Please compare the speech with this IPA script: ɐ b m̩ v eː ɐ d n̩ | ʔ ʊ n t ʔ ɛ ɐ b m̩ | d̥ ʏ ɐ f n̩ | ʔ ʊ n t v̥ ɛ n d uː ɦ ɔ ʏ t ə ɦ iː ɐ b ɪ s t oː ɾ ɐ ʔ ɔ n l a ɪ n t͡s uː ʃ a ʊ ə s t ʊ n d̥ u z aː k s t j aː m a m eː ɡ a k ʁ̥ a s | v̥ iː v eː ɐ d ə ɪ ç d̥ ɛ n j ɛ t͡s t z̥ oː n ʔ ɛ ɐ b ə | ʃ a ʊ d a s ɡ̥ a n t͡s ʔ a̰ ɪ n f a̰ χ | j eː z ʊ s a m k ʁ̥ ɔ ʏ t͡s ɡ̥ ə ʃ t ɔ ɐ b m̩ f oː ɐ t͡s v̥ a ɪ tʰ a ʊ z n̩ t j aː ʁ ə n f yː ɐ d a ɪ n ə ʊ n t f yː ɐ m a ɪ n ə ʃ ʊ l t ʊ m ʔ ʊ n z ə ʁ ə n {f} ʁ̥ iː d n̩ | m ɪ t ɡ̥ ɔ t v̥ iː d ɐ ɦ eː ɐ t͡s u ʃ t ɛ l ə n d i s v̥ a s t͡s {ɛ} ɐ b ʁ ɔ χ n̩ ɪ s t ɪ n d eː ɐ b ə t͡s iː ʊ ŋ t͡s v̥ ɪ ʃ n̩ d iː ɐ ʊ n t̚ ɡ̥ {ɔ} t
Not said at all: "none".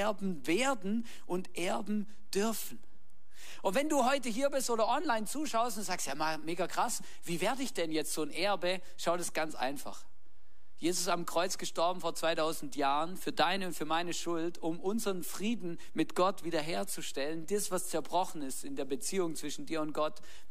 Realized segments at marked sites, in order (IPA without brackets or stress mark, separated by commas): f, ɛ, ɔ